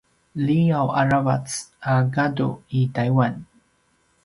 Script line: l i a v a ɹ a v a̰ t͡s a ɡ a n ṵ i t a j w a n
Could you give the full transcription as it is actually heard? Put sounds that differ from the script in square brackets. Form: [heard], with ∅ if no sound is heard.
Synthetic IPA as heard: l i a [w] a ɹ a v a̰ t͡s a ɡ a [d] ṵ i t a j w a n